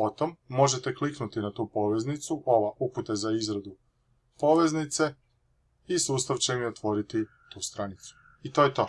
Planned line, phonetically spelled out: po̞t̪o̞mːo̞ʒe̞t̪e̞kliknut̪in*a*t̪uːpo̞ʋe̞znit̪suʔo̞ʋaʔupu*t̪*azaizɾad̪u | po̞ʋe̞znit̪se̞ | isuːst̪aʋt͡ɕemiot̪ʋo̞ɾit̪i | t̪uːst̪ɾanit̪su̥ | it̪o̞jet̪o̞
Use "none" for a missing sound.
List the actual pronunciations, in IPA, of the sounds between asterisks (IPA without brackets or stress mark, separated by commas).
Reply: a, t̪